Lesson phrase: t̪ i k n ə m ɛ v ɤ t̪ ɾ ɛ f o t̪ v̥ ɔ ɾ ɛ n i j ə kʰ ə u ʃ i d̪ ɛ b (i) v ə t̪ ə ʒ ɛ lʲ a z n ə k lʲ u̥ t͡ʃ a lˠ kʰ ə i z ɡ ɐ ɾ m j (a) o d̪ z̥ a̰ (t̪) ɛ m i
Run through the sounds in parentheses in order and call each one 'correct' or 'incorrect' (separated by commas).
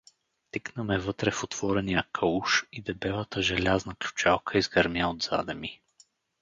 incorrect, correct, incorrect